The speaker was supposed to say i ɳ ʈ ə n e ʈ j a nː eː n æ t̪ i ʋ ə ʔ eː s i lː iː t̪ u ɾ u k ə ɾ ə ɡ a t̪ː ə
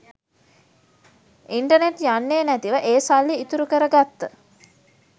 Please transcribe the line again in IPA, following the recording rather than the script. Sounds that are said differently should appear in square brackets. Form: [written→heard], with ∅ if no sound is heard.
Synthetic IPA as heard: i ɳ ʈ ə n e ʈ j a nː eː n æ t̪ i ʋ ə ʔ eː s [i→a] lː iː t̪ u ɾ u k ə ɾ ə ɡ a t̪ː ə